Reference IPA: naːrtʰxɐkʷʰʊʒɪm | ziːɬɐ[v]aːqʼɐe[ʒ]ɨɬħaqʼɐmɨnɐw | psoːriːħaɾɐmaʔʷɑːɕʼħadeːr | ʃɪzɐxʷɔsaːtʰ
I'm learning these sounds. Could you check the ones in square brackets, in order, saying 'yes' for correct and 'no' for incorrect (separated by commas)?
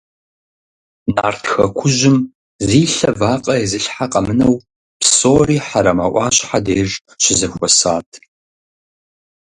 yes, no